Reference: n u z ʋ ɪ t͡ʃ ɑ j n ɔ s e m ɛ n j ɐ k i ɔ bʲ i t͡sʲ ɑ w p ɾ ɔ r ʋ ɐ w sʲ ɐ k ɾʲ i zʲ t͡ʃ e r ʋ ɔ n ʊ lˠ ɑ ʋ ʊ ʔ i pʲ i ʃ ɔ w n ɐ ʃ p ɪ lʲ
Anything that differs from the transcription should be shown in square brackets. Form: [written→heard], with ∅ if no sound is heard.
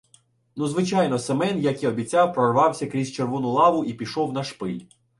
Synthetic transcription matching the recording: n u z ʋ ɪ t͡ʃ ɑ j n ɔ s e m ɛ n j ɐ k i ɔ bʲ i t͡sʲ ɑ w p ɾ ɔ r ʋ [ɐ→ɑ] w sʲ ɐ k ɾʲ i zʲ t͡ʃ e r ʋ ɔ n ʊ lˠ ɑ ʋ ʊ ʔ i pʲ i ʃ ɔ w n ɐ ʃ p ɪ lʲ